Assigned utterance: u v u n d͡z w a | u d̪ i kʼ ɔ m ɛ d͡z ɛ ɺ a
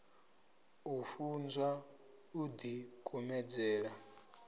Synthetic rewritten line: u f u n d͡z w a | u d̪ i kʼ u m ɛ d͡z ɛː ɺ a